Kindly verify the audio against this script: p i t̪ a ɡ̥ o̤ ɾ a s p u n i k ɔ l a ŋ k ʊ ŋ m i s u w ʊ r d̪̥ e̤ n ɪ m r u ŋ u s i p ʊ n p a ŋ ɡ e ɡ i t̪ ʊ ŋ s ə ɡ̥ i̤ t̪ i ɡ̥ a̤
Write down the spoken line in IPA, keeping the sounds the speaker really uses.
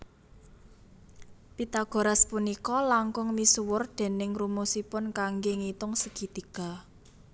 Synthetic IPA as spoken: p i t̪ a ɡ̥ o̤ ɾ a s p u n i k ɔ l a ŋ k ʊ ŋ m i s u w ʊ r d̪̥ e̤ n ɪ ŋ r u m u s i p ʊ n k a ŋ ɡ e ŋ i t̪ ʊ ŋ s ə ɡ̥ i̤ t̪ i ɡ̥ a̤